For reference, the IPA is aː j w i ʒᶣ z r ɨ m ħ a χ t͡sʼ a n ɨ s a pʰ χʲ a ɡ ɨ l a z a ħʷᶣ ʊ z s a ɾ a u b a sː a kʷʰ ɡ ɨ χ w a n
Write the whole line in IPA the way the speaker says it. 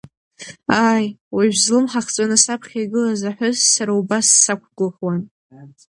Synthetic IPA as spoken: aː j w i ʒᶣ z l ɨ m ħ a χ t͡sʼ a n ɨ s a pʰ χʲ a ɡ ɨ l a z a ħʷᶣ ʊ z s a ɾ a u b a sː a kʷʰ ɡ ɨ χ w a n